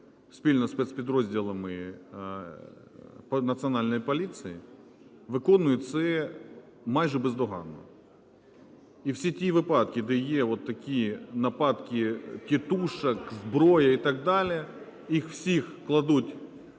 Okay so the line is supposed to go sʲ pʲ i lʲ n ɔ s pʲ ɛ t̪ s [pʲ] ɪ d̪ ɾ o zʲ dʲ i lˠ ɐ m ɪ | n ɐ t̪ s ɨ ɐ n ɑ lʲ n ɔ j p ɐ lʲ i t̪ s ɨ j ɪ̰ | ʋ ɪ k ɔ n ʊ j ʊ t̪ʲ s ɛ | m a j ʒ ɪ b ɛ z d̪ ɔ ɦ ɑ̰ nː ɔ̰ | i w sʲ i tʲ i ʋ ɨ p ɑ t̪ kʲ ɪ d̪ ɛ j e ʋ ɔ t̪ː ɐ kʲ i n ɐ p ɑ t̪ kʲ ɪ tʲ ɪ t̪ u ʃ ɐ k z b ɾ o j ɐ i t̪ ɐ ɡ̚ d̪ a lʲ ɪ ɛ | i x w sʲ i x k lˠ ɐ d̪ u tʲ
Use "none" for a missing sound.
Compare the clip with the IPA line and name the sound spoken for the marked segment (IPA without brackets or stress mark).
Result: pʲ